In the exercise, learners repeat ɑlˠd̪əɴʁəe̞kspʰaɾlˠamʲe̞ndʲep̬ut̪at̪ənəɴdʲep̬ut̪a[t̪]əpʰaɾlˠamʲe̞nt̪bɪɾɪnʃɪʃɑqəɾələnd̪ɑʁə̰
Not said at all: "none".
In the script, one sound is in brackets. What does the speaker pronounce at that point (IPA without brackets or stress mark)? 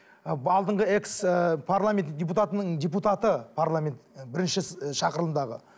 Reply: t̪